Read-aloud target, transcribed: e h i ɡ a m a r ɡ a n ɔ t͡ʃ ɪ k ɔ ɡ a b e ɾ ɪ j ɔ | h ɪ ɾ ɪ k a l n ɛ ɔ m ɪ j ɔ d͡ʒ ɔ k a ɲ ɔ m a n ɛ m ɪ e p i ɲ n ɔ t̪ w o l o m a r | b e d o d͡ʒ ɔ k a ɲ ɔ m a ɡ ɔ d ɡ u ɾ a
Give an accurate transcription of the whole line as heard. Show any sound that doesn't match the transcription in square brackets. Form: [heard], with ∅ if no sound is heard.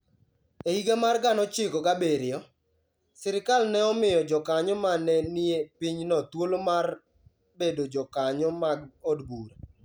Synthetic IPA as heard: e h i ɡ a m a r ɡ a n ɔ t͡ʃ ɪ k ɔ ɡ a b e ɾ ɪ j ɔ | [s] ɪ ɾ ɪ k a l n ɛ ɔ m ɪ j ɔ d͡ʒ ɔ k a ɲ ɔ m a n ɛ [n] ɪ e p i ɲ n ɔ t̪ w o l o m a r | b e d o d͡ʒ ɔ k a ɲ ɔ m a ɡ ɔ d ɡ u ɾ a